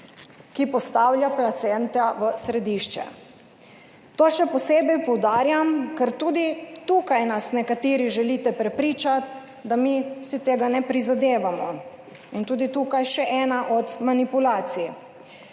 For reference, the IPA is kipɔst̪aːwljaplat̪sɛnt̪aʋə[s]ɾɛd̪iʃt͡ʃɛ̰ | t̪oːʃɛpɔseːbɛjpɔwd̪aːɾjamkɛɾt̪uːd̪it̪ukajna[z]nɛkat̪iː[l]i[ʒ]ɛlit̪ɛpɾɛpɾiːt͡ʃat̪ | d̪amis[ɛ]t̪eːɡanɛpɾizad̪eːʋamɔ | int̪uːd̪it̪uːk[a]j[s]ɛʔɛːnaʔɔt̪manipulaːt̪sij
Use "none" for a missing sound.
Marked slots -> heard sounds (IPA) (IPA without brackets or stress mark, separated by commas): s, s, ɾ, ʒ, i, a, ʃ